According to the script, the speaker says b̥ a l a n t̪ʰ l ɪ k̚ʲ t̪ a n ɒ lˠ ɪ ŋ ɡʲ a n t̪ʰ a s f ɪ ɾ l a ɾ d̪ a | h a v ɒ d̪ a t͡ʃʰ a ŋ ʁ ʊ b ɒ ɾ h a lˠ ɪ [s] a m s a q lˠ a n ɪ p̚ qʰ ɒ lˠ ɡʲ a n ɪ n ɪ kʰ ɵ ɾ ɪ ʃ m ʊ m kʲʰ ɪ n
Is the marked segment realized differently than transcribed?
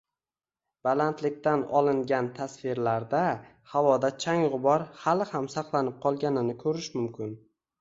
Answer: yes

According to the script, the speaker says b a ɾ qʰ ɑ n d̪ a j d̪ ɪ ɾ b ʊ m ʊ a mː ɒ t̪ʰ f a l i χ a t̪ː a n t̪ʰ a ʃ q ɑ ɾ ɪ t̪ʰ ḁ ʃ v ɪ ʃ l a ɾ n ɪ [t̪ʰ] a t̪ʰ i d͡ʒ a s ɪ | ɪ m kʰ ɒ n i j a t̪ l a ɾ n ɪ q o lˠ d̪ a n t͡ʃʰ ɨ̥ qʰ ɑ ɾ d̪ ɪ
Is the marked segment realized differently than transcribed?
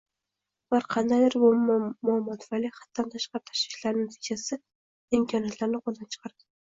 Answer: yes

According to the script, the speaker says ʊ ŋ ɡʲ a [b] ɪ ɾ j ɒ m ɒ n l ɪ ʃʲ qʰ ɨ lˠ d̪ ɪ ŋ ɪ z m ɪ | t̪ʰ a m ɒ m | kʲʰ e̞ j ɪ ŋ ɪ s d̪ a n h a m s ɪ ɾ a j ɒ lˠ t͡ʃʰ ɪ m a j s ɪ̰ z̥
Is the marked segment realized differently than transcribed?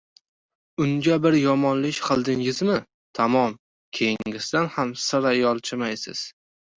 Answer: no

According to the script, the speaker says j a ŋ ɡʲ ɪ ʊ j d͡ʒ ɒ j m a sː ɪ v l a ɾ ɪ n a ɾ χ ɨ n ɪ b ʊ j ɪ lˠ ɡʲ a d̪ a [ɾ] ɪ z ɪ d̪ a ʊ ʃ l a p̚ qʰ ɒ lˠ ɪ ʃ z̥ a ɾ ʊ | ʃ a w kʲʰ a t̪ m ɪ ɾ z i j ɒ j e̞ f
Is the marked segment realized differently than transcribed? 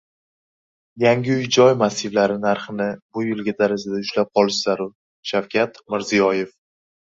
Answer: no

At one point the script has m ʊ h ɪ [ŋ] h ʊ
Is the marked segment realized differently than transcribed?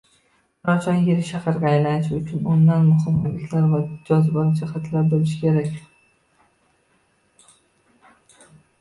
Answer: yes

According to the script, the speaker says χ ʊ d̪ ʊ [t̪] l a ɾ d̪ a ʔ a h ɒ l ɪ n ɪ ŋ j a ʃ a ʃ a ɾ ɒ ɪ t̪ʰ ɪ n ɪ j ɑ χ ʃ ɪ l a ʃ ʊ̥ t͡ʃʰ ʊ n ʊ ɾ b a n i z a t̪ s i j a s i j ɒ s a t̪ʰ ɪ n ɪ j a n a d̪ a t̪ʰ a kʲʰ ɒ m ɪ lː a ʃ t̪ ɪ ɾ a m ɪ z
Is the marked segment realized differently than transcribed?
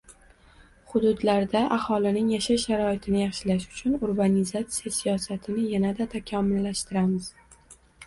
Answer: yes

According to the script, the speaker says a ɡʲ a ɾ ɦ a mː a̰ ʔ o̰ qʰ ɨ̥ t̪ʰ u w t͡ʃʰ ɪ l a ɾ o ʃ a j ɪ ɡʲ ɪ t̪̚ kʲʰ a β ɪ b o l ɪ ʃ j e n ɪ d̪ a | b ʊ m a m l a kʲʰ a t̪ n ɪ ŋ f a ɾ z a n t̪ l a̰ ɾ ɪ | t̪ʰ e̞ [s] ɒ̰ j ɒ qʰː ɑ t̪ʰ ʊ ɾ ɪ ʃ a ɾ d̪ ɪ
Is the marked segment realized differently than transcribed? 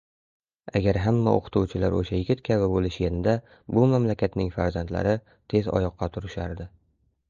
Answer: yes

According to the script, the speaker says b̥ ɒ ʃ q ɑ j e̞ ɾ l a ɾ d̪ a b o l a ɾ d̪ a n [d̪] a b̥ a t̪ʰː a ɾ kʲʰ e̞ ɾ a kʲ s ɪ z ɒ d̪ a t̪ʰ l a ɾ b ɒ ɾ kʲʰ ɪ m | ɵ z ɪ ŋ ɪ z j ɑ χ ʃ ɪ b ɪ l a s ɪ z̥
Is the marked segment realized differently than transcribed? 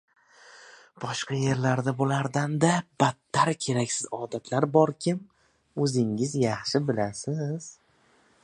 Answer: no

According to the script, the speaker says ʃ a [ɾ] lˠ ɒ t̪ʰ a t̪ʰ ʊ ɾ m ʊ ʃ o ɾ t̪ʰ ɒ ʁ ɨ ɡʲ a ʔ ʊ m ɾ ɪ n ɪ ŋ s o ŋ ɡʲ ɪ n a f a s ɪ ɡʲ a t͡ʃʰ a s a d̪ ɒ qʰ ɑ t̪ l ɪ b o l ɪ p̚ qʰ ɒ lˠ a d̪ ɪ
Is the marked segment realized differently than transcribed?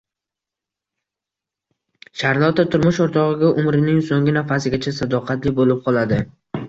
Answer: no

